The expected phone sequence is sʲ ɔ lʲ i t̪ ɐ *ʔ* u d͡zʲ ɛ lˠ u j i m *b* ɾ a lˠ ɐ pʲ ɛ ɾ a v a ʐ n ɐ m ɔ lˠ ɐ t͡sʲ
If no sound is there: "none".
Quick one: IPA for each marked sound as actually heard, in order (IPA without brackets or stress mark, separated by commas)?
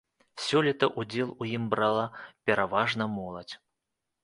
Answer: ʔ, b